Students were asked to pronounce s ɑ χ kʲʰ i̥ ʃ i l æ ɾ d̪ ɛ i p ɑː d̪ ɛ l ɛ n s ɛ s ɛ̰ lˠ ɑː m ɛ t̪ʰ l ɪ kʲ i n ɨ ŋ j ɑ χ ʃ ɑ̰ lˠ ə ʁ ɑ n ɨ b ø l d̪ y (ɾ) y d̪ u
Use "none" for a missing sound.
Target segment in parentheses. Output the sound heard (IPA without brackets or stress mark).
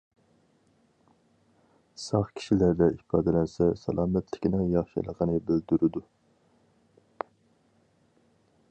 ɾ